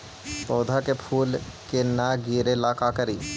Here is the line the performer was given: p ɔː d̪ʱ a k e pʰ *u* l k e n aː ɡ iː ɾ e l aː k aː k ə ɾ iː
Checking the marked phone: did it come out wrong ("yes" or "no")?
yes